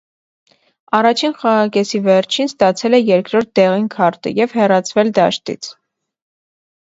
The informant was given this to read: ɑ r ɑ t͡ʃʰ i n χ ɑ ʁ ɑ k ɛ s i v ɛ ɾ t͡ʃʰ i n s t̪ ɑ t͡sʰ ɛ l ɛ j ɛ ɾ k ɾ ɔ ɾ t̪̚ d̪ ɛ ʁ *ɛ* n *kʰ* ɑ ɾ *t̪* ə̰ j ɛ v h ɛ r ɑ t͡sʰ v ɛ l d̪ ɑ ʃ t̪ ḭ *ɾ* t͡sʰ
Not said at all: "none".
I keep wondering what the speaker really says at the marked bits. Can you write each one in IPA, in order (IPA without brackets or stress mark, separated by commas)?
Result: i, kʰ, t̪, none